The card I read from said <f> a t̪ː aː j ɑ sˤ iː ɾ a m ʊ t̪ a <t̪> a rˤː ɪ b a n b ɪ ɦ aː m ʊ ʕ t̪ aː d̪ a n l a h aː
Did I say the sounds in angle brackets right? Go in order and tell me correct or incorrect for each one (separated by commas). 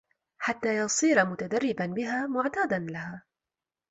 incorrect, incorrect